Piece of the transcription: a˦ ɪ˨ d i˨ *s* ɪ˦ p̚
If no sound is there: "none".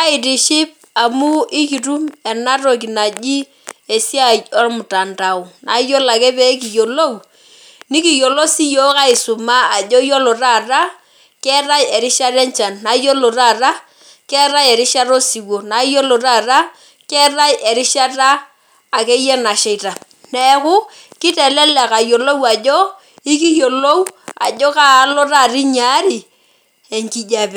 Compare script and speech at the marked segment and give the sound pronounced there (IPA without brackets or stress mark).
ʃ